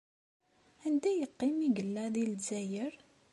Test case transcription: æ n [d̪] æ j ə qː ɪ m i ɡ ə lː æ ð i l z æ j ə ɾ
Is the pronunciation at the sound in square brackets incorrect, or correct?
correct